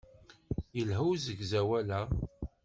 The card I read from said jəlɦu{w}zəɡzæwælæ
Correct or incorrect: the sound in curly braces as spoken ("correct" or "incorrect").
correct